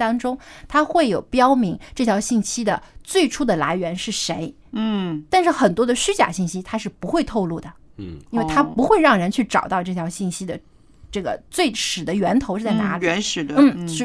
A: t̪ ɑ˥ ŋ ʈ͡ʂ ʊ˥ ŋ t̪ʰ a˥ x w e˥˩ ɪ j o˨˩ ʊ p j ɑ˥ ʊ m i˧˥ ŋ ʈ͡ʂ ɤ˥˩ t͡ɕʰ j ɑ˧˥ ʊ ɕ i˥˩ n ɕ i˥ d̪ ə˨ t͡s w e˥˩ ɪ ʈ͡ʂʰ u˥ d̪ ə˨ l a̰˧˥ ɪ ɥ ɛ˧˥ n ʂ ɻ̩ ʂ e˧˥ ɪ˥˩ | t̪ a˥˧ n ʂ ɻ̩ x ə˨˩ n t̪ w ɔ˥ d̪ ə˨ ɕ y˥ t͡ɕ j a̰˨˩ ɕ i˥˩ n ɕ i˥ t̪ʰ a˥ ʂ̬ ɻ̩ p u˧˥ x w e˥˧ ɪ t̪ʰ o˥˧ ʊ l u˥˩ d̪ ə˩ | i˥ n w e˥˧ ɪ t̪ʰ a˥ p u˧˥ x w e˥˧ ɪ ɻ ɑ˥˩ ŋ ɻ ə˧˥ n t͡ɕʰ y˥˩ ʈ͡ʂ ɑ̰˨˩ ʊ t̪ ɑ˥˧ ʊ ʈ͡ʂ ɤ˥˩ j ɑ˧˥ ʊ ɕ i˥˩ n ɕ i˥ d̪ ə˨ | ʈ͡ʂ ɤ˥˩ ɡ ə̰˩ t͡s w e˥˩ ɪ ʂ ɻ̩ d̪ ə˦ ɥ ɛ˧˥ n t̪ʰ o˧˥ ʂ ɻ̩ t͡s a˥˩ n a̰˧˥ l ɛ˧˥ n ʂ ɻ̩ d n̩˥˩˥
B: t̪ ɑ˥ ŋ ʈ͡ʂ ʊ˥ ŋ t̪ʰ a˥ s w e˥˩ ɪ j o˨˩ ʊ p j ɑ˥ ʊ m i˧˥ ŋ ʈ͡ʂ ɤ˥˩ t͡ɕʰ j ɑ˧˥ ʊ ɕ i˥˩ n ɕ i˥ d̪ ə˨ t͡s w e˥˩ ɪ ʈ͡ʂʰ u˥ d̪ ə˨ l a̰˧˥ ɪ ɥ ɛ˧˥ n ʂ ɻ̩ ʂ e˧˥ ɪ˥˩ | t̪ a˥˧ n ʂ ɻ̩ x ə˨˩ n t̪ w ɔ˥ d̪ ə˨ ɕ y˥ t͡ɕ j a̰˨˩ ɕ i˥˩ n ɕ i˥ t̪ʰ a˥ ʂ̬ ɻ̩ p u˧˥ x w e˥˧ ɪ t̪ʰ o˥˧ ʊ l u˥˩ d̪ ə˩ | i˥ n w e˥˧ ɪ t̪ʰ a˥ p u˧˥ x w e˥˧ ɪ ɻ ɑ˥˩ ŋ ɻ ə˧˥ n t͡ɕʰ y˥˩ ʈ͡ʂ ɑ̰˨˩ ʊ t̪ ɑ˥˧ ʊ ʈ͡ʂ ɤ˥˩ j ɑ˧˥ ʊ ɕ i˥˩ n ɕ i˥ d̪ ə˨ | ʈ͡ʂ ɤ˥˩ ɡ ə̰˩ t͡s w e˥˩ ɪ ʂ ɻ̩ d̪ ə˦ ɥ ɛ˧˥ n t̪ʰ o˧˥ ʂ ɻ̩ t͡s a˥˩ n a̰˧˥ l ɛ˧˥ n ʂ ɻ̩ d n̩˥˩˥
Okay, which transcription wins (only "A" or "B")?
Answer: A